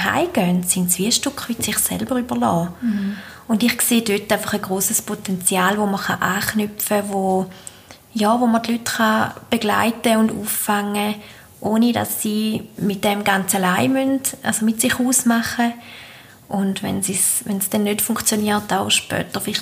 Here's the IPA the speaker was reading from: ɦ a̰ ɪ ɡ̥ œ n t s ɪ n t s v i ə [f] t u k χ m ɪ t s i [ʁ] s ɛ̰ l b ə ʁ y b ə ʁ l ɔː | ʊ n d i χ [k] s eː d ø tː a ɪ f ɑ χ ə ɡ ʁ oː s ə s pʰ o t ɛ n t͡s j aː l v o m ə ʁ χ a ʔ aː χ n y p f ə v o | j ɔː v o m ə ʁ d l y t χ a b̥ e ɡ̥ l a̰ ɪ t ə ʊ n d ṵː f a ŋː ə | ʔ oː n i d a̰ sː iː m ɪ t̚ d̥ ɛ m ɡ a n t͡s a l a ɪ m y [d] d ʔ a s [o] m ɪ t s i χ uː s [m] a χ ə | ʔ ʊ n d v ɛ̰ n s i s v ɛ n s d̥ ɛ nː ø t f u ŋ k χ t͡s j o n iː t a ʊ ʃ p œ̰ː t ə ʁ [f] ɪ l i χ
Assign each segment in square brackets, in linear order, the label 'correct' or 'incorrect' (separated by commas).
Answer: incorrect, incorrect, correct, incorrect, correct, correct, correct